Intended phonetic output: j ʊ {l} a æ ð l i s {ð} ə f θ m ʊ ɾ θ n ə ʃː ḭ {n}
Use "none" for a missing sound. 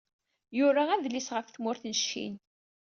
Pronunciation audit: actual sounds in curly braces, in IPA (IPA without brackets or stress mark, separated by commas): ɾ, ʁ, n